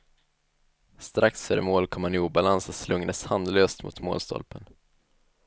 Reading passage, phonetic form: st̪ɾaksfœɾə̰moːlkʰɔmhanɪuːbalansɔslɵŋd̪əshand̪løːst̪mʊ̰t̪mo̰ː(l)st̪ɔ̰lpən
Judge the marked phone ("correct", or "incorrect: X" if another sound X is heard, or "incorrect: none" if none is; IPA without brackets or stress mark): correct